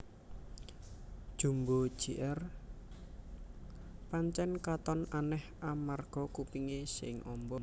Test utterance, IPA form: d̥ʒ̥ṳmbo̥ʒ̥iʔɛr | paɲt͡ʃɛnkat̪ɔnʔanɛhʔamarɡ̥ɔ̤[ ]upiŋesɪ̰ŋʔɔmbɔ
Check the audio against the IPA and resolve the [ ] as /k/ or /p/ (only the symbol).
k